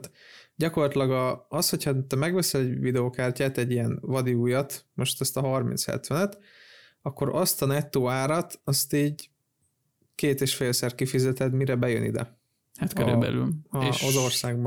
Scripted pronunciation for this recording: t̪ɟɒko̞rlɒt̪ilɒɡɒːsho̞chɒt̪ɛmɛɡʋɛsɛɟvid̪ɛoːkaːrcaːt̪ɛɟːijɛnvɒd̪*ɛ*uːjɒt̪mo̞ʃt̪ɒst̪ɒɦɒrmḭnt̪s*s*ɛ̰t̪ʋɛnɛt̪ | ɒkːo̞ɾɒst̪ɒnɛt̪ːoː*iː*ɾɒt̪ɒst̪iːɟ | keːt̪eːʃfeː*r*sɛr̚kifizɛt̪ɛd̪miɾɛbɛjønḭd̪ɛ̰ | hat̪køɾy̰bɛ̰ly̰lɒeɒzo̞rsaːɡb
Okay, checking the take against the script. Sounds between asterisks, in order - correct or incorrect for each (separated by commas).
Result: incorrect, incorrect, incorrect, incorrect